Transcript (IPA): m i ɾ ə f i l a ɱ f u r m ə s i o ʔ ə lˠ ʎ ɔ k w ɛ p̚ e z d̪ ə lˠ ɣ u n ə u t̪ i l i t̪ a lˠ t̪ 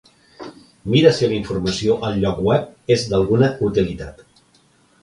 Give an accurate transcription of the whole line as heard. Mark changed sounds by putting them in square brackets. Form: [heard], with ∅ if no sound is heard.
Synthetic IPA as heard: m i ɾ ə [s] i l [i] ɱ f u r m ə s i o ʔ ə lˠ ʎ ɔ k w ɛ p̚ e z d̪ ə lˠ ɣ u n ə u t̪ i l i t̪ a [∅] t̪

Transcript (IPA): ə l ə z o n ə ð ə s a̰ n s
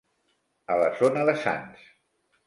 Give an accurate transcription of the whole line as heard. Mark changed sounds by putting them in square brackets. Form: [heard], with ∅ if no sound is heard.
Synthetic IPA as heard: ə l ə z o n ə ð ə s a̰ n s

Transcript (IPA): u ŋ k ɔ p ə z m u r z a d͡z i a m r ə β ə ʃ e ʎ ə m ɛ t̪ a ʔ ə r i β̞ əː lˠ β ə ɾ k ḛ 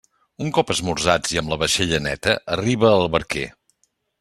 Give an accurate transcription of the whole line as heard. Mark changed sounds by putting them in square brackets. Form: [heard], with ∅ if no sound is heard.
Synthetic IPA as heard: u ŋ k ɔ p ə z m u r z a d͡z i [ə] m [l] ə β ə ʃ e ʎ ə [n] ɛ t̪ [ə] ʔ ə r i β̞ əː lˠ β ə ɾ k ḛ

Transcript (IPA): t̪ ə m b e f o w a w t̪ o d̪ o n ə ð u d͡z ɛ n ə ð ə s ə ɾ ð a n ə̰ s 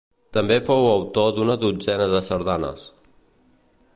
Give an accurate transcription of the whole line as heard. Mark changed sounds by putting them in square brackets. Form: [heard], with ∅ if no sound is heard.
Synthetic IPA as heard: t̪ ə m b e f o w [ə] w t̪ o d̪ [u] n ə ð u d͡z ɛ n ə ð ə s ə ɾ ð a n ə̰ s

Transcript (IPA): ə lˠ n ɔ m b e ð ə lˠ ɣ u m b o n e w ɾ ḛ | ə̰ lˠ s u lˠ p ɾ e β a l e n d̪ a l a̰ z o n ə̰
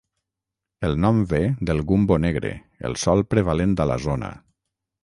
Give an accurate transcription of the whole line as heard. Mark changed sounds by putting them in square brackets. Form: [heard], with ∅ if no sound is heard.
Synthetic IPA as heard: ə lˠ n ɔ m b e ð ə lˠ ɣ u m b o n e [ɣ] ɾ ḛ | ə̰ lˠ s [ɔ] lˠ p ɾ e β a l e n d̪ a l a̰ z o n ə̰

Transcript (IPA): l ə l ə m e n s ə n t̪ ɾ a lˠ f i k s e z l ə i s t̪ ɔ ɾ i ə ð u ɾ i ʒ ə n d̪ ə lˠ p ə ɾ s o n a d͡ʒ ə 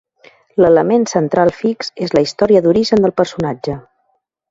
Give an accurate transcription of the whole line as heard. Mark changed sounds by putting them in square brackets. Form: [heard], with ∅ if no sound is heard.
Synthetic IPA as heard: l ə l ə m e n s ə n t̪ ɾ a lˠ f i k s e z l ə i s t̪ ɔ ɾ i ə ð u ɾ i ʒ ə n d̪ ə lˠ p ə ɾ s [u] n a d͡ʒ ə

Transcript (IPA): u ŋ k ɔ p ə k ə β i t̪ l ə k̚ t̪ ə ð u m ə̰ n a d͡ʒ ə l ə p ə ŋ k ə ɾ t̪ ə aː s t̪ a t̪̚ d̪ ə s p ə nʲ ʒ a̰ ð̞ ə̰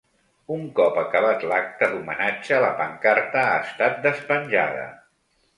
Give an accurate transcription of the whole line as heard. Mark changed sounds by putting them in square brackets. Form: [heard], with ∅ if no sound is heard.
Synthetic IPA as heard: u ŋ k ɔ p ə k ə β [a] t̪ l [a] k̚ t̪ ə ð u m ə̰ n a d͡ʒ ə l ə p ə ŋ k [a] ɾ t̪ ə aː s t̪ a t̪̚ d̪ ə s p ə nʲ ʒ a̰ ð̞ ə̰

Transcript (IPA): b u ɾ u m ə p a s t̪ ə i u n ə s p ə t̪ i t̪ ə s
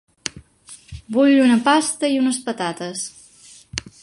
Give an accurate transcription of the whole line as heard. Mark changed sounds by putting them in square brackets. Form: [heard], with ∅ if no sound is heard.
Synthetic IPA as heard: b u [ʎ] u [n] ə p a s t̪ ə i u n ə s p ə t̪ [a] t̪ ə s

